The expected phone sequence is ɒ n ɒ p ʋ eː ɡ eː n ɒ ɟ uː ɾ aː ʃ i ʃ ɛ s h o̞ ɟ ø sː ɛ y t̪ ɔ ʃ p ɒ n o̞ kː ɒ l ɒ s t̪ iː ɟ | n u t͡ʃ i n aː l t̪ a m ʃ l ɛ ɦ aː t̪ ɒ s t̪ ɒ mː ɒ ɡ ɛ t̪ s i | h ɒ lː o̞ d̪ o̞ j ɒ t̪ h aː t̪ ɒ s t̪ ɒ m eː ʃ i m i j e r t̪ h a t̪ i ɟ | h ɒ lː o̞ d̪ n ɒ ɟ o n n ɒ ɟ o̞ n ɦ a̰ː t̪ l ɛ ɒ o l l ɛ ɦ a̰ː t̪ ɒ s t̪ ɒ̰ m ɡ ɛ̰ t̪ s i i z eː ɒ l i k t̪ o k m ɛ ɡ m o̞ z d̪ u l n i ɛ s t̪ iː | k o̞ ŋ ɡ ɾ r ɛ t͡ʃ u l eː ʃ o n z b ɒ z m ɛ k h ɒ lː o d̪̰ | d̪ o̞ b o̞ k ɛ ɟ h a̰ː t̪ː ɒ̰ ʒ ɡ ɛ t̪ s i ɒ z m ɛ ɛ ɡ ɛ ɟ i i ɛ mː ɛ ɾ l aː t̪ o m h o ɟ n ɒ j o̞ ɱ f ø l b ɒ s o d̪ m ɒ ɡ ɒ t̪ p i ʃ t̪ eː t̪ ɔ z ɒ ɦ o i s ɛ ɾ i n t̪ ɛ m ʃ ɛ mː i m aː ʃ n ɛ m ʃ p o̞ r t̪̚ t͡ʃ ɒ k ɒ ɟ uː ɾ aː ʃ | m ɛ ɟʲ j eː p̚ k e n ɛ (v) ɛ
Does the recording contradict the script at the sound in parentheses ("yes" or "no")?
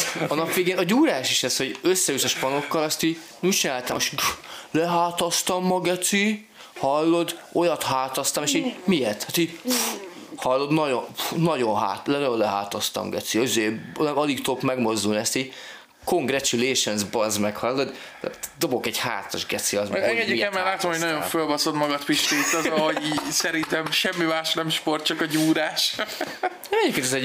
yes